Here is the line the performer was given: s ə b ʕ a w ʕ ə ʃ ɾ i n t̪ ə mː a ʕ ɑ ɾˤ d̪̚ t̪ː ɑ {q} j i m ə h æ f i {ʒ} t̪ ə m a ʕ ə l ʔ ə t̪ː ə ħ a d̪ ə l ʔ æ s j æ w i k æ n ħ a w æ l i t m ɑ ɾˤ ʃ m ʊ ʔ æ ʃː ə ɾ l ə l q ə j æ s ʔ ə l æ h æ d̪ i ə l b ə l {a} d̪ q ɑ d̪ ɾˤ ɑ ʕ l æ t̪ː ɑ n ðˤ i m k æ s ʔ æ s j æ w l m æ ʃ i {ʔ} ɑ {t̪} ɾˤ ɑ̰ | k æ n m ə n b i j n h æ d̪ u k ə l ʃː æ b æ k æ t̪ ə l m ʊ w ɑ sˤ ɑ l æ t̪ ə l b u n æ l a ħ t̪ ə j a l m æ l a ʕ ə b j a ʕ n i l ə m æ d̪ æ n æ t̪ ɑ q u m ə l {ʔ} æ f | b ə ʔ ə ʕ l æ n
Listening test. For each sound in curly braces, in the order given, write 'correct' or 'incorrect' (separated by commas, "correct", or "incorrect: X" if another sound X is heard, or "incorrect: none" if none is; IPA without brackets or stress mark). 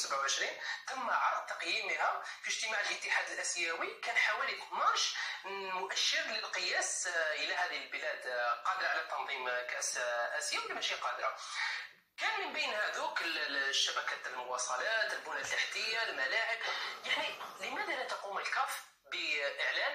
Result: correct, correct, incorrect: æ, incorrect: q, incorrect: d̪, incorrect: k